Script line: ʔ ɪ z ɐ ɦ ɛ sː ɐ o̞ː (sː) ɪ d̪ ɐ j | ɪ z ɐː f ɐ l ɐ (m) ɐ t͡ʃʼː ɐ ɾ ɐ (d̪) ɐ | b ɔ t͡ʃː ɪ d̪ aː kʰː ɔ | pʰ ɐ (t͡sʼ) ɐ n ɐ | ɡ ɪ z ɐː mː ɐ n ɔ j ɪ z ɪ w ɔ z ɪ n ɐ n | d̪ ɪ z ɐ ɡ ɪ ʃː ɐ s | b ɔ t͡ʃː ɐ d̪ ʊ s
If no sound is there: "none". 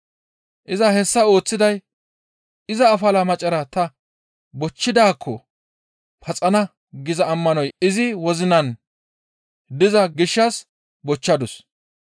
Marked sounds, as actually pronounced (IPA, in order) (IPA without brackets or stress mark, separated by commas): t͡sː, m, t̪, t͡sʼ